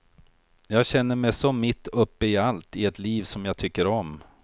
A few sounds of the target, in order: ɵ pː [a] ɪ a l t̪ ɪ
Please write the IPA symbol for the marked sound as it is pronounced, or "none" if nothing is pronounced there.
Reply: ə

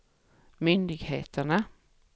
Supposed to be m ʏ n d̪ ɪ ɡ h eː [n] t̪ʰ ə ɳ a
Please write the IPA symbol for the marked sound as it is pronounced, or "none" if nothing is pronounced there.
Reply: none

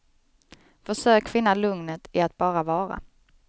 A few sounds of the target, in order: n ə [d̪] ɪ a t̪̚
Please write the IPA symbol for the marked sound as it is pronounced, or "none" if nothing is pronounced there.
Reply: t̪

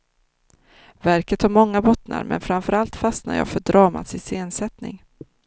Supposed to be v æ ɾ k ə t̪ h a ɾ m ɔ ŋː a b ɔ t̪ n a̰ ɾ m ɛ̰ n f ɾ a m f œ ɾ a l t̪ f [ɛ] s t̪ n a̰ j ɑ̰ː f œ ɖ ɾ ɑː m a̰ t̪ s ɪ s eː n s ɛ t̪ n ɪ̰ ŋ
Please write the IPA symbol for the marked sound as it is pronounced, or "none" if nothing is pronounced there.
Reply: a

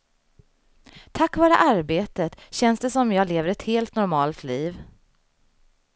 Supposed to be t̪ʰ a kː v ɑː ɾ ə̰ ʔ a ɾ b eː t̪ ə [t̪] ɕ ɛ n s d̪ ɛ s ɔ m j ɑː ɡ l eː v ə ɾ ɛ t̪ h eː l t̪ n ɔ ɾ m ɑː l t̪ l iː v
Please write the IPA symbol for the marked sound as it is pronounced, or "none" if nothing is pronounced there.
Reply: t̪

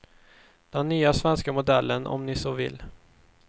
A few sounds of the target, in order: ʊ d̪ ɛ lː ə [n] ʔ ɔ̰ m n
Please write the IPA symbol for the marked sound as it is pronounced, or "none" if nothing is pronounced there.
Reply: n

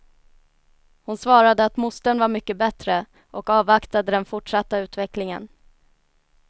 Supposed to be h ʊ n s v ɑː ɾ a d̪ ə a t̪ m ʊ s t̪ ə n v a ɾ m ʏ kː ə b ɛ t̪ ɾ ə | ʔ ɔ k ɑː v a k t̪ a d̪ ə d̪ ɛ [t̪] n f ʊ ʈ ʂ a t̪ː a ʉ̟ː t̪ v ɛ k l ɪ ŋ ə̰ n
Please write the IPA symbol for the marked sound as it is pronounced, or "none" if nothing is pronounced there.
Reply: none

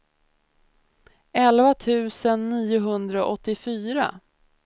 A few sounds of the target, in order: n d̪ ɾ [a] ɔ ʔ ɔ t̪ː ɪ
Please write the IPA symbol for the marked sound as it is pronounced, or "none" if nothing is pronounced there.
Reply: a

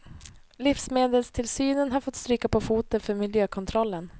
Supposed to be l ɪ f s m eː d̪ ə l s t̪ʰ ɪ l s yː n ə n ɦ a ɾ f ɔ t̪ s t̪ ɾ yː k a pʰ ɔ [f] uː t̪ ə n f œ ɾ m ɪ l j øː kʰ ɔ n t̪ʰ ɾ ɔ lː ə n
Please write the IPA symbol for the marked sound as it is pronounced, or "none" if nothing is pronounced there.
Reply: f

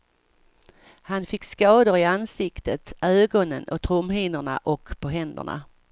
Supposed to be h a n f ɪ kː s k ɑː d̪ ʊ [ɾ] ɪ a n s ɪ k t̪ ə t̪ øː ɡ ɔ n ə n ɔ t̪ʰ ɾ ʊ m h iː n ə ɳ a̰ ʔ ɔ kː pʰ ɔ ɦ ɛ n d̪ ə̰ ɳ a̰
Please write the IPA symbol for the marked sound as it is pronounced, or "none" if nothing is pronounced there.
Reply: ɾ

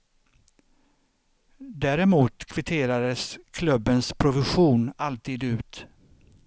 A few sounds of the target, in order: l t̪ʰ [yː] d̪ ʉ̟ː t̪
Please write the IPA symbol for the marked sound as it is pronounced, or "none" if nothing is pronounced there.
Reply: iː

